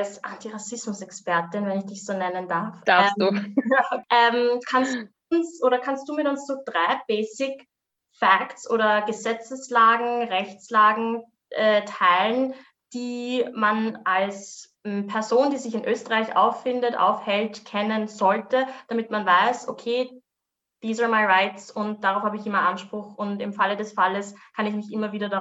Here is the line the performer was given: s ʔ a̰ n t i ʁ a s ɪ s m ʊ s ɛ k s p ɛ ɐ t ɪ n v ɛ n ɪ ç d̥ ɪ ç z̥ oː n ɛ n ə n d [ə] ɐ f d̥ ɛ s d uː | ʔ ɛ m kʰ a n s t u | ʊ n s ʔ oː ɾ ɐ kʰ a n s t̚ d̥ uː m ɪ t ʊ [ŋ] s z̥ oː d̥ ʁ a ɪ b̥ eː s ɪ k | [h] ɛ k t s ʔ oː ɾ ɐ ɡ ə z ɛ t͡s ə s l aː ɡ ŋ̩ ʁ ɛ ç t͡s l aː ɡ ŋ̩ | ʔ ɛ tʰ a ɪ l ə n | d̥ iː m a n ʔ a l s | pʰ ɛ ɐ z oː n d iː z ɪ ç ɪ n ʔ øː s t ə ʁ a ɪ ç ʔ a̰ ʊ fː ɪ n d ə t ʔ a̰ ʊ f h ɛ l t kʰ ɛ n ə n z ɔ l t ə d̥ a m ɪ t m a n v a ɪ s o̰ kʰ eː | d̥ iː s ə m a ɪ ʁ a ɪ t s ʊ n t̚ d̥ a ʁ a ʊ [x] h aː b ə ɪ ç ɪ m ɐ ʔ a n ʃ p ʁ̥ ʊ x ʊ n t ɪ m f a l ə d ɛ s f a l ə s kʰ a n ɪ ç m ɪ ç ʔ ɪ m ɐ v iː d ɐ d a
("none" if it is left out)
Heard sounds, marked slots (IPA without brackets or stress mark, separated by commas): a, n, f, f